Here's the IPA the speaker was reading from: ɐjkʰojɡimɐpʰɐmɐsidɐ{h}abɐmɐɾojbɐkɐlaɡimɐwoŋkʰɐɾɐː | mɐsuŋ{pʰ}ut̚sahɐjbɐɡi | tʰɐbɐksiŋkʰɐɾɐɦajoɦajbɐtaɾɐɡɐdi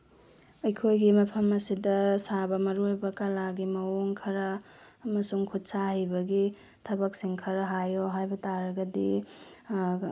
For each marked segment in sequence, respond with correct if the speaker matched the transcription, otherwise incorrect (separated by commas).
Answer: incorrect, incorrect